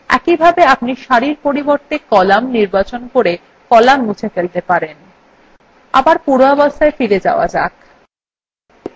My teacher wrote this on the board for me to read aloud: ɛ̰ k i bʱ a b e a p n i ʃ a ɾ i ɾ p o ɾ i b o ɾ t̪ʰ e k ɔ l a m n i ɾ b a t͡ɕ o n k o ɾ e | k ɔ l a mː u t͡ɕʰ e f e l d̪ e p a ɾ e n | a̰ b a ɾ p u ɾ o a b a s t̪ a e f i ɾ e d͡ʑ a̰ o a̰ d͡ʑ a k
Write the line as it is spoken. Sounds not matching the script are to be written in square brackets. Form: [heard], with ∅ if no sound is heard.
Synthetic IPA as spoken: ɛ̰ k i bʱ a b e a p n i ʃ a ɾ i ɾ p o ɾ i b o ɾ [t̪] e k ɔ l a m n i ɾ b a t͡ɕ o n k o ɾ e | k ɔ l a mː u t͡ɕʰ e f e l [t̪] e p a ɾ e n | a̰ b a ɾ p u ɾ o a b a s t̪ a e f i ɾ e d͡ʑ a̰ o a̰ d͡ʑ a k